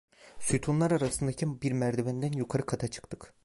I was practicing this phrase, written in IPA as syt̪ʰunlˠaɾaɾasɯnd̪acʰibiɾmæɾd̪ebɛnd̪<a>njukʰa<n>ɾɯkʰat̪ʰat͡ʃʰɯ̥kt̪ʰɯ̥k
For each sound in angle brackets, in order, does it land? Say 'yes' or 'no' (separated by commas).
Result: no, no